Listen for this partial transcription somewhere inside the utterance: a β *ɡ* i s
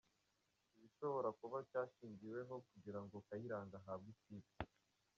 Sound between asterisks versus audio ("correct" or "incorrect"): correct